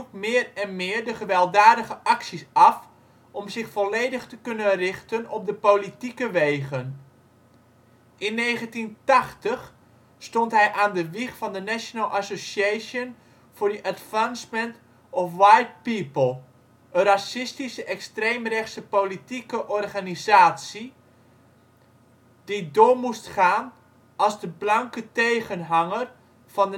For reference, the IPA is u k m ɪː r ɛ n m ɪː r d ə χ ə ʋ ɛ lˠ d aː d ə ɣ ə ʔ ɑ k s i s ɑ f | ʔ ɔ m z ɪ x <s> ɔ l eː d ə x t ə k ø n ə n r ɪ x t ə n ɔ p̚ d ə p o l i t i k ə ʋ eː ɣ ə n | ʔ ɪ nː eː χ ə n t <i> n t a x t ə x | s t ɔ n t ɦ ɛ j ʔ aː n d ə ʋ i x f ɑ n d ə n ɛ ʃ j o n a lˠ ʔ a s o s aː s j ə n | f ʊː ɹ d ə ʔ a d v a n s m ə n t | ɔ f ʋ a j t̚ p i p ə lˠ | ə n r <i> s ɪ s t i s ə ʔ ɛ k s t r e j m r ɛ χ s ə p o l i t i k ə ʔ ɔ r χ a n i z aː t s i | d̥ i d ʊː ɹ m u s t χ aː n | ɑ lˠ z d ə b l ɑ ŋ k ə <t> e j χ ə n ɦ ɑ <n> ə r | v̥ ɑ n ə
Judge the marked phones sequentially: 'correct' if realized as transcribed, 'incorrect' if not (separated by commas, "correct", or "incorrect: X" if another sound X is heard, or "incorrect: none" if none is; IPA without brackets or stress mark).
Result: incorrect: f, correct, incorrect: a, correct, incorrect: ŋ